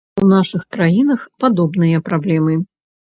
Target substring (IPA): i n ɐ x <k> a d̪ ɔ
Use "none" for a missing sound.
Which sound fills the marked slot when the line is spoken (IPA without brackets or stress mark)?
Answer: p